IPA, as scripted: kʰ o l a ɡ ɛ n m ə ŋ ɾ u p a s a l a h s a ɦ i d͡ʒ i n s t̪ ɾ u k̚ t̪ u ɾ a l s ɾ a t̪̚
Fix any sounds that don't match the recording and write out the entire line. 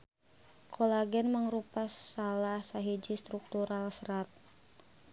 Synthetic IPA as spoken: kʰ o l a ɡ ɛ n m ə ŋ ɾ u p a s a l a h s a ɦ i d͡ʒ i s t̪ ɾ u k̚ t̪ u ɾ a l s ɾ a t̪̚